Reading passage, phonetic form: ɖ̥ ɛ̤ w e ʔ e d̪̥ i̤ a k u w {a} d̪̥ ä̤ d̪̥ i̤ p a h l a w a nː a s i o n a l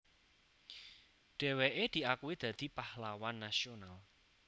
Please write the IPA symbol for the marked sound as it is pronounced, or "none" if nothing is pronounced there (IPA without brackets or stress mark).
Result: i